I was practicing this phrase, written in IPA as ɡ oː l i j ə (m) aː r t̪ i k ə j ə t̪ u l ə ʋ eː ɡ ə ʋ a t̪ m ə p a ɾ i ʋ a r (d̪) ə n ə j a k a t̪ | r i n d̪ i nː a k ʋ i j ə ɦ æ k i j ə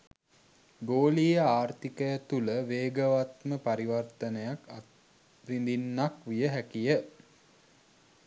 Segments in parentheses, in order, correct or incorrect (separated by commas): incorrect, incorrect